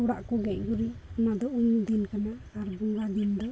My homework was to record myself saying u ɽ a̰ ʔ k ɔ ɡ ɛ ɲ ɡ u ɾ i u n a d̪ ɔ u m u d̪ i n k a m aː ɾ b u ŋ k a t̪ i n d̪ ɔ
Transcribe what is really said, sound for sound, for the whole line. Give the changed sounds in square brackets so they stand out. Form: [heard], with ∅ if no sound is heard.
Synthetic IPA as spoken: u ɽ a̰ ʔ k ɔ ɡ ɛ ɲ ɡ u ɾ i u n a d̪ ɔ u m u d̪ i n k a [n] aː ɾ b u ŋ [ɡ] a [d̪] i n d̪ ɔ